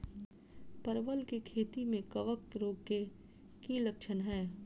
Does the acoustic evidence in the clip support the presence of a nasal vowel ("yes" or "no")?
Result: yes